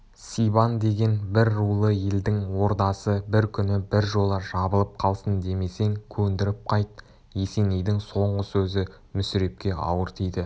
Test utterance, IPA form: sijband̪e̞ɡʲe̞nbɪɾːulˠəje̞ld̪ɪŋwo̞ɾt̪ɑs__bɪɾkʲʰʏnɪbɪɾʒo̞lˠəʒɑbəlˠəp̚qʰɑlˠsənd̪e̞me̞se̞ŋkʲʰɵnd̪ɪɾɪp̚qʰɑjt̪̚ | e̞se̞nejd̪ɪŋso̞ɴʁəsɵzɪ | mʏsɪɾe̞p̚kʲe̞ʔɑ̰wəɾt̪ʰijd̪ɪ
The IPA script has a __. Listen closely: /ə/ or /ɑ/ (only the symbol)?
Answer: ə